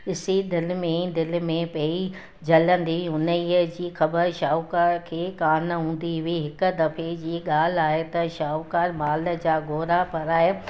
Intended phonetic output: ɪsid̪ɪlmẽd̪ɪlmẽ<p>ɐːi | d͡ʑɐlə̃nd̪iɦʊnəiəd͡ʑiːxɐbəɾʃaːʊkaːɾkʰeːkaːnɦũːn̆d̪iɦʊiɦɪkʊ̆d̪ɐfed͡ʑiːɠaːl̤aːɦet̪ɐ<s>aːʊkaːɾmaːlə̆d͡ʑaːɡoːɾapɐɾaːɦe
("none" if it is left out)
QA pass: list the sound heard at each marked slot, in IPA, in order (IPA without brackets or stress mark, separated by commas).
p, ʃ